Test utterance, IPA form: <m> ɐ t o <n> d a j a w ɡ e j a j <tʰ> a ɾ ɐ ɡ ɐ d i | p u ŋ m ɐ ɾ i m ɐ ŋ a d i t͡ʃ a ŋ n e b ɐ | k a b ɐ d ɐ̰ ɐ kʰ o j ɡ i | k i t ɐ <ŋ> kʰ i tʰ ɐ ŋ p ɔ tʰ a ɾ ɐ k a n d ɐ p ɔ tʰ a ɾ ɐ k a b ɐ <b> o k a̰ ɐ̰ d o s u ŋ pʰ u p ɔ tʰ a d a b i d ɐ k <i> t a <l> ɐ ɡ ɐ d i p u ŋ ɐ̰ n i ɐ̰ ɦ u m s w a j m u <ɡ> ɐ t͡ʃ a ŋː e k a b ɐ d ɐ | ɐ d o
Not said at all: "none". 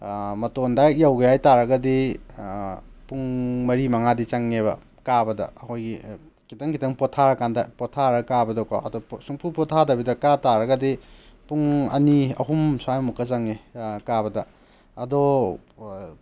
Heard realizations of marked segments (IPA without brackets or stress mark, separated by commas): m, n, t, ŋ, d, a, ɾ, k